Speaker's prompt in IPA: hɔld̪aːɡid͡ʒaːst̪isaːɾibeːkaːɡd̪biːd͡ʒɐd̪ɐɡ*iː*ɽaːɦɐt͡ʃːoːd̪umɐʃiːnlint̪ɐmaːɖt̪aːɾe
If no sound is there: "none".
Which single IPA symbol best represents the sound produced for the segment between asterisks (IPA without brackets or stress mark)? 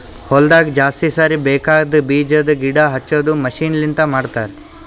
i